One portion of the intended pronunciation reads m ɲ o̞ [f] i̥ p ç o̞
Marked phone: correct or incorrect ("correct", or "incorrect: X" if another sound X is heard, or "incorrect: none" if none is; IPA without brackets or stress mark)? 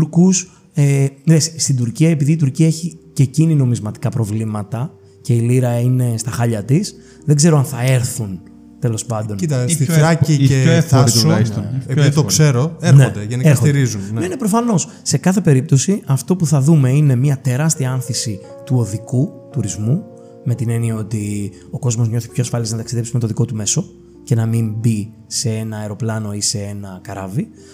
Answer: incorrect: θ